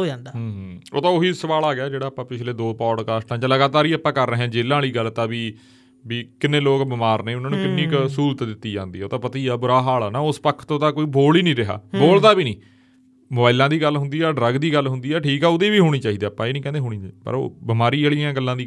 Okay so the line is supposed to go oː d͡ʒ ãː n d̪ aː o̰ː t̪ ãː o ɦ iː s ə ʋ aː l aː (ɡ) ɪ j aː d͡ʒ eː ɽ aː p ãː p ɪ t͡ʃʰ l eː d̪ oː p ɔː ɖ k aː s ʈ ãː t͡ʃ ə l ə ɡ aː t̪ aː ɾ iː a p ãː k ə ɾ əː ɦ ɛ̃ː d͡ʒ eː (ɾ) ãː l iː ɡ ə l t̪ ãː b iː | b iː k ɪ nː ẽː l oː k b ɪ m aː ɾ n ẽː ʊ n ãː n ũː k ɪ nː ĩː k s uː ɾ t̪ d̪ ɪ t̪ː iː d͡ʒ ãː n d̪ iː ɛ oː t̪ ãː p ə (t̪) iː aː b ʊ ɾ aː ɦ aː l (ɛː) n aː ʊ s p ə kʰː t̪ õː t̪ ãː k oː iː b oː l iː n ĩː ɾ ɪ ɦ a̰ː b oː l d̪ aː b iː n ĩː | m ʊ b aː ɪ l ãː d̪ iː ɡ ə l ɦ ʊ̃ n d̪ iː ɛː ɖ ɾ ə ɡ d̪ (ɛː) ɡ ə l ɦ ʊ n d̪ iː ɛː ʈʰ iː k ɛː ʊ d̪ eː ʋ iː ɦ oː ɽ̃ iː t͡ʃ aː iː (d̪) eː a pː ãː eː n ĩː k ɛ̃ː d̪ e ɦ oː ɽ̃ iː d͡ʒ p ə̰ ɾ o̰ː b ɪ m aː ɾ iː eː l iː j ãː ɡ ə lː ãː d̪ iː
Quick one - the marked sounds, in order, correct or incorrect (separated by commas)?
correct, incorrect, correct, incorrect, incorrect, correct